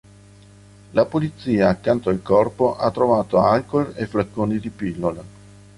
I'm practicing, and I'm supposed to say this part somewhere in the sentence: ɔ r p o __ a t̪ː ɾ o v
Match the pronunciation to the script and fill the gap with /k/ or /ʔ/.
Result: ʔ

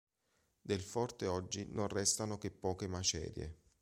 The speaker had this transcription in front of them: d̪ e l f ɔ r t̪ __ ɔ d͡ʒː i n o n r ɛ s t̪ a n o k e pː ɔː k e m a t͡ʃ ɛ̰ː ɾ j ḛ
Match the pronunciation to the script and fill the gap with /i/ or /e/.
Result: e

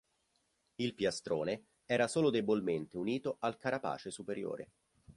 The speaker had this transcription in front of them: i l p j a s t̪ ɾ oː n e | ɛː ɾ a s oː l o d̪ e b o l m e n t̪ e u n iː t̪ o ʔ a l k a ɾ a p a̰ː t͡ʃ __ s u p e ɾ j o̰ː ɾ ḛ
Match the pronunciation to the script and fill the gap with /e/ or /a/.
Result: e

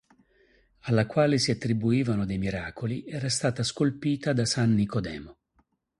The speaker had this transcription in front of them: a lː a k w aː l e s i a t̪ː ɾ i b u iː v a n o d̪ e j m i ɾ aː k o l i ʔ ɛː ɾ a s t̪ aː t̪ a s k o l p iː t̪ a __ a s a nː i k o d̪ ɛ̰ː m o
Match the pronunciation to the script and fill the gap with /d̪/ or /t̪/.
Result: d̪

